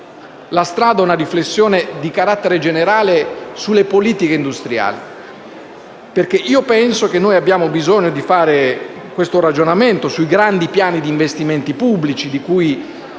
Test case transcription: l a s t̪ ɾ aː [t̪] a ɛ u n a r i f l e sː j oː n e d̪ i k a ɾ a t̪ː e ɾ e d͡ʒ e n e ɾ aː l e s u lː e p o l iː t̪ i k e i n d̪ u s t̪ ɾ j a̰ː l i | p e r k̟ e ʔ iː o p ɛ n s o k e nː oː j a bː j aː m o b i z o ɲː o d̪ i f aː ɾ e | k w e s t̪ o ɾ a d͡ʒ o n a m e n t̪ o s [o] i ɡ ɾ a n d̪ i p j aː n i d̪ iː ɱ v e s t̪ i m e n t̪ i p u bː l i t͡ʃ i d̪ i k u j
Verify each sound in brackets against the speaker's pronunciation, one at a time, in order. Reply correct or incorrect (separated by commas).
incorrect, incorrect